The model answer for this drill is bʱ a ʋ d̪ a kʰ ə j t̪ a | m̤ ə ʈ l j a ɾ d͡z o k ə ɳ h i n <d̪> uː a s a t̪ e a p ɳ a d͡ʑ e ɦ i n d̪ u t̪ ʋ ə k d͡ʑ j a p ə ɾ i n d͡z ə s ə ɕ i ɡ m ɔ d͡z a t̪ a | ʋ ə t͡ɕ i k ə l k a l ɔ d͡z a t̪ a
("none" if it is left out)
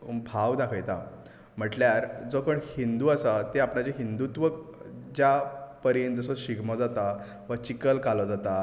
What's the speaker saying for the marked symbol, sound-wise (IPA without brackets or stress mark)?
d̪